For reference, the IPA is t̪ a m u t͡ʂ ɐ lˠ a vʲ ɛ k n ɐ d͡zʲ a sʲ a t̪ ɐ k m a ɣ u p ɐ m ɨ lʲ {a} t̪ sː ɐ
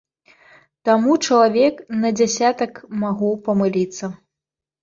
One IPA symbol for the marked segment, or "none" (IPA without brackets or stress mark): i